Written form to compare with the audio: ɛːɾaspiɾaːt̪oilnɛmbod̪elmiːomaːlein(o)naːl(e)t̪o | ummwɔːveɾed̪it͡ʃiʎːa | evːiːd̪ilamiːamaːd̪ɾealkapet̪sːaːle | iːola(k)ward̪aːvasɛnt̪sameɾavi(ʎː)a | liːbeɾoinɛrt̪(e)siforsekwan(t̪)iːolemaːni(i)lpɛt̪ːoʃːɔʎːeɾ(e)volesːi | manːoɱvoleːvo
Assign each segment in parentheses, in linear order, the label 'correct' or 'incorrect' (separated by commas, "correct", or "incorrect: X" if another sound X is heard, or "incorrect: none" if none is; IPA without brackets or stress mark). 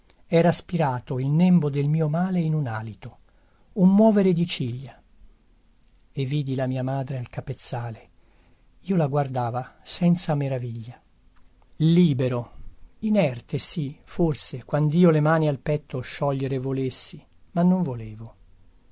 incorrect: u, incorrect: i, incorrect: ɡ, correct, correct, incorrect: d̪, incorrect: a, correct